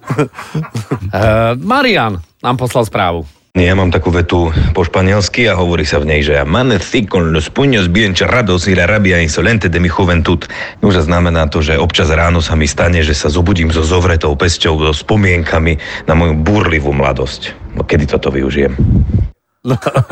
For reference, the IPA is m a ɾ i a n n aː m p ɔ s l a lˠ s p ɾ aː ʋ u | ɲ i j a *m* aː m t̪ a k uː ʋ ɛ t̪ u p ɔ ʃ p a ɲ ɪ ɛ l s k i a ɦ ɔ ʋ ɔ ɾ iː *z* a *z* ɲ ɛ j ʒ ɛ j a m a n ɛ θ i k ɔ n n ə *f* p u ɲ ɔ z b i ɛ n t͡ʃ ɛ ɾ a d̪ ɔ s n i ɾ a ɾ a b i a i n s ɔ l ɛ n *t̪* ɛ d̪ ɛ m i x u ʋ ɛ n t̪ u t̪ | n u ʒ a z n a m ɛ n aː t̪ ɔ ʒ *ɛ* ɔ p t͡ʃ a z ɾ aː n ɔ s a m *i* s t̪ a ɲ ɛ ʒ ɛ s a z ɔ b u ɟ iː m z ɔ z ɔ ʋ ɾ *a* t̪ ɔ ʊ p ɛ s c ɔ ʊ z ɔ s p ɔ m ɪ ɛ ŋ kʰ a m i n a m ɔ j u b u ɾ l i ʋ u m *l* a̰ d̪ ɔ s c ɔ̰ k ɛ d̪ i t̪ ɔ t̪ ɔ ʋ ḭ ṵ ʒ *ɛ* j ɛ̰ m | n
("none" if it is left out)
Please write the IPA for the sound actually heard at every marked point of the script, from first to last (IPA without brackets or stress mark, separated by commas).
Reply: m, s, v, s, t̪, ɛ, i, ɛ, l, i